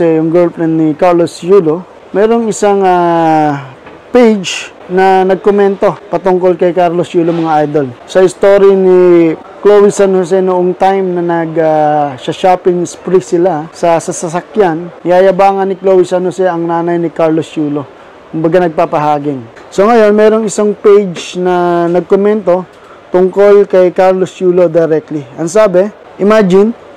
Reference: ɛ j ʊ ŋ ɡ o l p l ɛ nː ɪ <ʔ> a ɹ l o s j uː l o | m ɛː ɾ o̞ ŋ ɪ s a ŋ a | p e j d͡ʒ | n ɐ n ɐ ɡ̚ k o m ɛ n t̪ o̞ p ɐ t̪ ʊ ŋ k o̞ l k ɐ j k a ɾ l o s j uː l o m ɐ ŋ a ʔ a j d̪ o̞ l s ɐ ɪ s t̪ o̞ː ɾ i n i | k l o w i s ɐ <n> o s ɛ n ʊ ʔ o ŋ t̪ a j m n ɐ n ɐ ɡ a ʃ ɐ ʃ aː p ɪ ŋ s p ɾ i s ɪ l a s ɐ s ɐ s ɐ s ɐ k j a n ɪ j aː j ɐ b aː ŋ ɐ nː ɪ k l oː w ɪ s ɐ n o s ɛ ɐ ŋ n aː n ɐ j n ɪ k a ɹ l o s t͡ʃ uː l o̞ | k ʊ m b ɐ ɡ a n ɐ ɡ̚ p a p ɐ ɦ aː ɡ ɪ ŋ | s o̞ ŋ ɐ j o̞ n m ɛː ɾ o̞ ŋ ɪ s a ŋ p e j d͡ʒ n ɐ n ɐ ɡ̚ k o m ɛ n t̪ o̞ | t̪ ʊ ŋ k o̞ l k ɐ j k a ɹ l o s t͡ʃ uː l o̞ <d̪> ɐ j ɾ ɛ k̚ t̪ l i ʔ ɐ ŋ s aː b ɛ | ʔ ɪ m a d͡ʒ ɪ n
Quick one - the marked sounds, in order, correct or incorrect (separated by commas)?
incorrect, correct, correct